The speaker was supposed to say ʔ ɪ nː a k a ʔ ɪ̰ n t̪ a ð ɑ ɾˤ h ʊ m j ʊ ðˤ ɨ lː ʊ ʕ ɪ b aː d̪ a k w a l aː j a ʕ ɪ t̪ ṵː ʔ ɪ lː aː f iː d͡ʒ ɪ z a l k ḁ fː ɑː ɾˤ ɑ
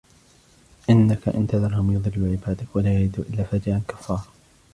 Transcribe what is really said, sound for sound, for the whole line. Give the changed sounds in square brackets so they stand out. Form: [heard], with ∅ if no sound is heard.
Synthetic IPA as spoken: ʔ ɪ nː a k a ʔ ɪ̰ n t̪ a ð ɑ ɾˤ h ʊ m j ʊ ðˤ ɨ lː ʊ ʕ ɪ b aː d̪ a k w a l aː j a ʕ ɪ [d̪] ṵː ʔ ɪ lː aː f [aː] d͡ʒ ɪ [ʕ] a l k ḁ fː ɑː ɾˤ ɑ